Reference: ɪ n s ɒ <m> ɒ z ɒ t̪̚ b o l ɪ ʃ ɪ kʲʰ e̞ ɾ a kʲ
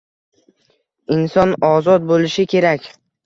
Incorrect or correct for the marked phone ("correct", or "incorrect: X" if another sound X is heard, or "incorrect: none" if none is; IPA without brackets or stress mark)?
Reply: incorrect: n